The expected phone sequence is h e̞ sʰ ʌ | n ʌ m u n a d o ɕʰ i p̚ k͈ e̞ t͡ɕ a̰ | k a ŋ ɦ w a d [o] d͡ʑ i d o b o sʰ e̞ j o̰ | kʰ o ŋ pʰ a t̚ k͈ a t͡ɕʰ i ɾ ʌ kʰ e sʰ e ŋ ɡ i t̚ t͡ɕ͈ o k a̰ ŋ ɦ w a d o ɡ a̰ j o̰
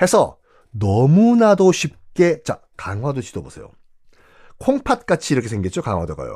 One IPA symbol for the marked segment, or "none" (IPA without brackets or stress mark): o